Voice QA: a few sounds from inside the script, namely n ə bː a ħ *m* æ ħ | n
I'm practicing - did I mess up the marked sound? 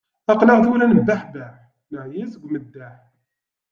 yes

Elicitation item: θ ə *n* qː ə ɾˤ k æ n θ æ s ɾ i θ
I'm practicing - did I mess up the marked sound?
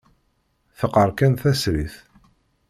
yes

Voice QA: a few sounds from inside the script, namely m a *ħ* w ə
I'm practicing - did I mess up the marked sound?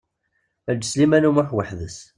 no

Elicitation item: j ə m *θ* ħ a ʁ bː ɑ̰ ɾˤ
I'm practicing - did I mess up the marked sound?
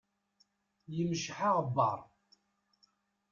yes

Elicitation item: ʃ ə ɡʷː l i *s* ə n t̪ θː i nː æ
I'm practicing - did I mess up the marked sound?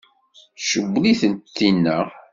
yes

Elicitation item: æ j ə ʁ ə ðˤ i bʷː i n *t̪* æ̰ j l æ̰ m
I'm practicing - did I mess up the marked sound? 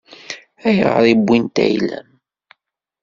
no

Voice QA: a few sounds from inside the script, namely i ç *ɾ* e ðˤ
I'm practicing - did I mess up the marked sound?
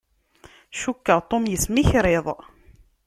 no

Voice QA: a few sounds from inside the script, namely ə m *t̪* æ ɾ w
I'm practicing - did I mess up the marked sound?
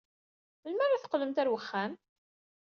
no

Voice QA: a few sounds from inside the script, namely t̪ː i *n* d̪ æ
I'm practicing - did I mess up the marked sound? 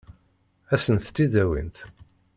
yes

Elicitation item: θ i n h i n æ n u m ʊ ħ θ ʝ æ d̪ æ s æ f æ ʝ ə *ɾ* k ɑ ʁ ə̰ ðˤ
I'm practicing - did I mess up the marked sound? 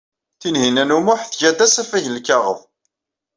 yes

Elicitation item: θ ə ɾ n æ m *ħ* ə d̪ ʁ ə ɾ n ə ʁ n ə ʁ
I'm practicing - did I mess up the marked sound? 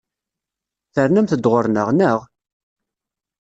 yes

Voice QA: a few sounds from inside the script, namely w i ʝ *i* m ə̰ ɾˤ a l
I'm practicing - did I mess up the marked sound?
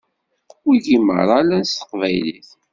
no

